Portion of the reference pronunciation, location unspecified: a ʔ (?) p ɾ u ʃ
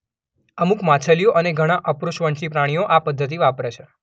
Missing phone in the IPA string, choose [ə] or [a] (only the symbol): ə